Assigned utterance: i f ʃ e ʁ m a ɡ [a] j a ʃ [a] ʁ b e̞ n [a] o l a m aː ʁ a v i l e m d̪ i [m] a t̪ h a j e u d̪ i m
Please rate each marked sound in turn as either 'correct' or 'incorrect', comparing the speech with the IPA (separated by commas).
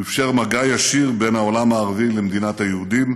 correct, incorrect, correct, incorrect